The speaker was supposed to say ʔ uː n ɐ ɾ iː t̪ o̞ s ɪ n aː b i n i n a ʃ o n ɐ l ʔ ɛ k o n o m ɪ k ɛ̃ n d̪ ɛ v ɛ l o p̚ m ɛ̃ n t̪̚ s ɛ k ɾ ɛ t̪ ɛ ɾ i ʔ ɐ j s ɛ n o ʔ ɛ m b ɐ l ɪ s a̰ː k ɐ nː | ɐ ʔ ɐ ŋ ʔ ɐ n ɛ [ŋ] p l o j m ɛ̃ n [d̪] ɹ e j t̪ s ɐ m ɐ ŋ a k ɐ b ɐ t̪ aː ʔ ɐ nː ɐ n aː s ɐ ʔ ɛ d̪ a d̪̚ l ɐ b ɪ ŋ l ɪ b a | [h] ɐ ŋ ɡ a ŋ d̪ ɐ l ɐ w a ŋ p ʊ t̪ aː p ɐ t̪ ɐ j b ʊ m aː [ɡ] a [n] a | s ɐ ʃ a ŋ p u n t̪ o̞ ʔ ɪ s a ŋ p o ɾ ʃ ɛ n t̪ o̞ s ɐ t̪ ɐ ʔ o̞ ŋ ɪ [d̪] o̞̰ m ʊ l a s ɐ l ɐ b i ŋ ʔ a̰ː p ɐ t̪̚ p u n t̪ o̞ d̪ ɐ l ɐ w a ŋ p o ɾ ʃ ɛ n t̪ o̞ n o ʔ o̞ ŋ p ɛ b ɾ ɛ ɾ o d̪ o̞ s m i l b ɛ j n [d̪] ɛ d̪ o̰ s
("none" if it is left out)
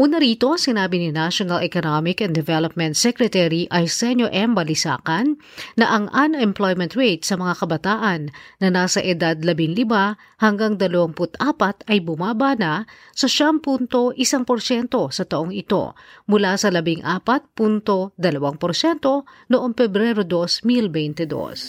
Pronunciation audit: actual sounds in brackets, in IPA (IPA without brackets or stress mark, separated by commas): m, t̪, h, b, n, t̪, t̪